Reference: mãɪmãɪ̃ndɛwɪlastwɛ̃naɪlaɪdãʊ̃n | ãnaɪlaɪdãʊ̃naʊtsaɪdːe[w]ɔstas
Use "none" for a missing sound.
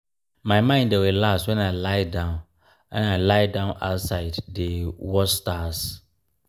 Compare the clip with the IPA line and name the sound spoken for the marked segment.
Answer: w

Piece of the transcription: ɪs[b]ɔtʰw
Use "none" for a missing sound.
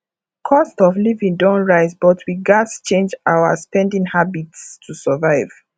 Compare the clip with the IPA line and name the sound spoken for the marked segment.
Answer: b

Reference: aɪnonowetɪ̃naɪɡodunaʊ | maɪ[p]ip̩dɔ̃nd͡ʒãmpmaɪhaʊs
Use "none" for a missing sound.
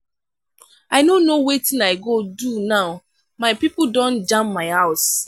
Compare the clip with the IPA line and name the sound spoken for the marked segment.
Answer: p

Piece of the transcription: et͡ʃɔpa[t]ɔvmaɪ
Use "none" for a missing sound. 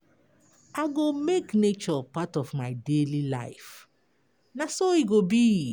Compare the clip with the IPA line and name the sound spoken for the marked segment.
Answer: t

